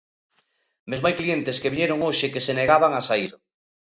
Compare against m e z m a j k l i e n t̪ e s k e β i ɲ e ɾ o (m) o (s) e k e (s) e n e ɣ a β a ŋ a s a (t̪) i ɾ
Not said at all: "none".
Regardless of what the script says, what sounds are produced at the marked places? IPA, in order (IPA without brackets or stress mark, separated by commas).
ŋ, ʃ, s, none